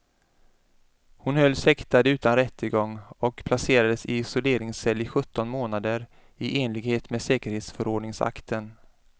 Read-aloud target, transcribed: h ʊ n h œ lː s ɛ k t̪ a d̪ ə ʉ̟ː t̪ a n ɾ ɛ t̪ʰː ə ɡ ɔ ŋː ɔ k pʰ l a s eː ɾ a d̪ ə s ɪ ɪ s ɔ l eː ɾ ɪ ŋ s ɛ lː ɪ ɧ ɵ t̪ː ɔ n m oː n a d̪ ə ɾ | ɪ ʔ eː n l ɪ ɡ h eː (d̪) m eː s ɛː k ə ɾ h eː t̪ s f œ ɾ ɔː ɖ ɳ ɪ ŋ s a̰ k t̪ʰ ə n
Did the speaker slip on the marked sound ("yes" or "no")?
yes